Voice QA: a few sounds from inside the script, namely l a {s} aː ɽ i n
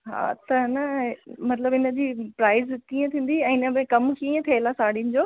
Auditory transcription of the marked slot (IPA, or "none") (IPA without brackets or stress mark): s